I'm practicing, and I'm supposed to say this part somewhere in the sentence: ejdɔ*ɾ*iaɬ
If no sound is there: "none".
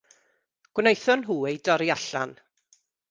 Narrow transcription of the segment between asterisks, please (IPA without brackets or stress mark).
ɾ